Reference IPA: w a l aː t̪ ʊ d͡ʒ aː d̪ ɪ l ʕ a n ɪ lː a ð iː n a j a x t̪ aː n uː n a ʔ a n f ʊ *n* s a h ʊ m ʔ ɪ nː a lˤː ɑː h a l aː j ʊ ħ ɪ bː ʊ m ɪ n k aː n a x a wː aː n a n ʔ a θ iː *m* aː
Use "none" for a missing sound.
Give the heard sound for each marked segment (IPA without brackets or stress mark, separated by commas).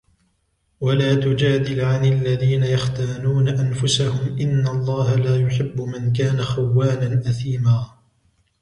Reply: none, m